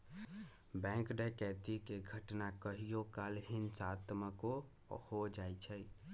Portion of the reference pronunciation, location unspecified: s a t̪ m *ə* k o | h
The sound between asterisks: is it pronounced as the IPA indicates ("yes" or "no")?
yes